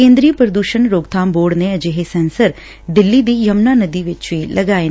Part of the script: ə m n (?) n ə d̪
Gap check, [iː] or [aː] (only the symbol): aː